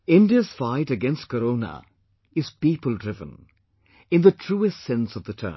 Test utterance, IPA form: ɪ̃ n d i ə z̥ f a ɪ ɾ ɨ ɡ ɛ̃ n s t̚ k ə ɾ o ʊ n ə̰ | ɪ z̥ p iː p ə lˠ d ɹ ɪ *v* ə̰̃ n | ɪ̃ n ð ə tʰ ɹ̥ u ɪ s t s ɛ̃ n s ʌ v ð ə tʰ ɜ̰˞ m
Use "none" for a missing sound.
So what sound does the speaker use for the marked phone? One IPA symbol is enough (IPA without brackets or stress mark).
v